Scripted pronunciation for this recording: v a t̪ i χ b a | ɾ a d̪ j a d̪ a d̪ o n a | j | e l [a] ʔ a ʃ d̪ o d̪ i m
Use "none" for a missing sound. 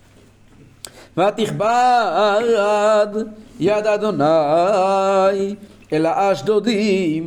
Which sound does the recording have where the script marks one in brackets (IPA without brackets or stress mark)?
a